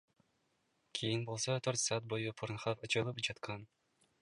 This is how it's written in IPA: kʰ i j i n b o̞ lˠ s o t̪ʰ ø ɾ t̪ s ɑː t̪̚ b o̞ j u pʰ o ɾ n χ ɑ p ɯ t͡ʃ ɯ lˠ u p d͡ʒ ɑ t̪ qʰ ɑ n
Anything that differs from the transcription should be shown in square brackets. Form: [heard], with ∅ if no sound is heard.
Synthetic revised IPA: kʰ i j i n b o̞ lˠ s o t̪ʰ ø ɾ t̪ s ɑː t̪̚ b o̞ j u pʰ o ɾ n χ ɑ p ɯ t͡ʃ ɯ lˠ [ɯ] p d͡ʒ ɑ t̪ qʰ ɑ n